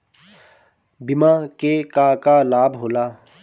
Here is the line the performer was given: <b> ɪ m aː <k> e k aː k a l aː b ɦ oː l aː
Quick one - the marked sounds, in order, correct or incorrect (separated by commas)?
correct, correct